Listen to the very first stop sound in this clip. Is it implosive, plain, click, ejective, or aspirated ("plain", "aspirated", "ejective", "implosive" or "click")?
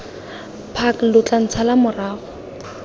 aspirated